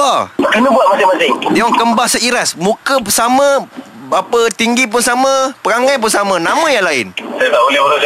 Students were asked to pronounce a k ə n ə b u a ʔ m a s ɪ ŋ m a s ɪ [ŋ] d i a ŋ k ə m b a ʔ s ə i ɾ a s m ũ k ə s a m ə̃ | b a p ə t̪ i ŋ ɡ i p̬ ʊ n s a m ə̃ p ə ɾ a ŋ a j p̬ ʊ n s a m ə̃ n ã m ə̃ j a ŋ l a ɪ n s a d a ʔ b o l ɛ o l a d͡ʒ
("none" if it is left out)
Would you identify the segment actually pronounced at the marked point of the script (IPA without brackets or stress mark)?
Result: ŋ